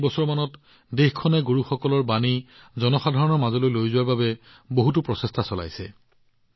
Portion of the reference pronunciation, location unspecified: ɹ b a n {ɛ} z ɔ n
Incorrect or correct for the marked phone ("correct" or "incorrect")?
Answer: incorrect